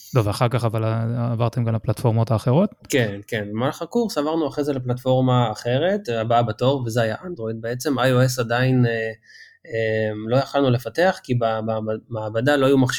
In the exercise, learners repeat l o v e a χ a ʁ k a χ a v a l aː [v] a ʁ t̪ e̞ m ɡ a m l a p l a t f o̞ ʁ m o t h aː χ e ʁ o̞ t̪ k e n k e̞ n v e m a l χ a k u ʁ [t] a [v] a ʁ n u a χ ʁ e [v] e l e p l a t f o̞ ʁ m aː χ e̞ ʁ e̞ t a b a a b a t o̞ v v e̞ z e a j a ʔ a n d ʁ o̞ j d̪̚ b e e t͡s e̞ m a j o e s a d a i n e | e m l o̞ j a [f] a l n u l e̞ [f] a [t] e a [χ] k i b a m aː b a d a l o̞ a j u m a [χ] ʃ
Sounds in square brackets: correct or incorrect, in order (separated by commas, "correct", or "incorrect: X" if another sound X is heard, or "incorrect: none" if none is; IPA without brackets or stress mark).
correct, incorrect: s, correct, incorrect: z, incorrect: χ, correct, correct, correct, correct